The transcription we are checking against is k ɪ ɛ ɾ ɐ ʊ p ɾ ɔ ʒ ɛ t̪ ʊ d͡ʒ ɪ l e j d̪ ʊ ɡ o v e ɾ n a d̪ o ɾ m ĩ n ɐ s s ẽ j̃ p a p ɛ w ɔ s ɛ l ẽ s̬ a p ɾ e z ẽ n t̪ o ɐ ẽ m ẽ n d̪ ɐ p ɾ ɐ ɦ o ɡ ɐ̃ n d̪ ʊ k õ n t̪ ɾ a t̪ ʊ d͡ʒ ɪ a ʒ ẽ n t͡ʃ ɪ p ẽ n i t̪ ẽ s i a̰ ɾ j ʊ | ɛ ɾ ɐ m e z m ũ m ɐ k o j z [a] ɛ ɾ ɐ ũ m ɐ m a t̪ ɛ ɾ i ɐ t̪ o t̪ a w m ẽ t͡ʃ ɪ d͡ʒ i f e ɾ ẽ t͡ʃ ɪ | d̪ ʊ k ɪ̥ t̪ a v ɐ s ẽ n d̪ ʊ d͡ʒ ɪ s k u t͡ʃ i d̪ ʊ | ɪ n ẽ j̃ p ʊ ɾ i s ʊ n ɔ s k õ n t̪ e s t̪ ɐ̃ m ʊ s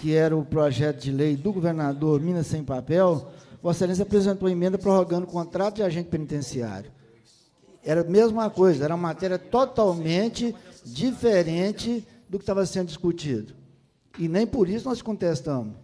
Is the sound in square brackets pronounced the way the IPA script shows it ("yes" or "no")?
no